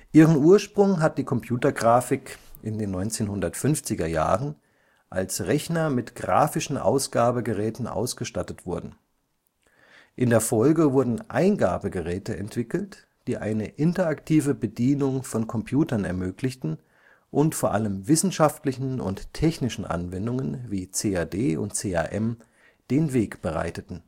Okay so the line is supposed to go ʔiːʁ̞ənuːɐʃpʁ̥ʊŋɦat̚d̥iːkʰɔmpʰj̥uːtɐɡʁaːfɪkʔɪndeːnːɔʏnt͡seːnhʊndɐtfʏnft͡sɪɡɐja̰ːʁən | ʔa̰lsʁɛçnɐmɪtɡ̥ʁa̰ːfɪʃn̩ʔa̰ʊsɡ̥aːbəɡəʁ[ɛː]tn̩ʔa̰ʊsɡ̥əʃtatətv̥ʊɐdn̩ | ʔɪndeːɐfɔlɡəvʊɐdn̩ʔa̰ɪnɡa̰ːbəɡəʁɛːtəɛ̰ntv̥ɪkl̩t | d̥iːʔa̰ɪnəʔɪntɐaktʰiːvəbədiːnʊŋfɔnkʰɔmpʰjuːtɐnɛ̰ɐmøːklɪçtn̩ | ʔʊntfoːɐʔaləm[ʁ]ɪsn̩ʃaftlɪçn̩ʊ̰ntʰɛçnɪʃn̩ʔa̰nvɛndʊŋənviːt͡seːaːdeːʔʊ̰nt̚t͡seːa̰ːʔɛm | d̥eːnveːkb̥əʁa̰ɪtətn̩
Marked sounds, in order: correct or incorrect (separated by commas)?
correct, incorrect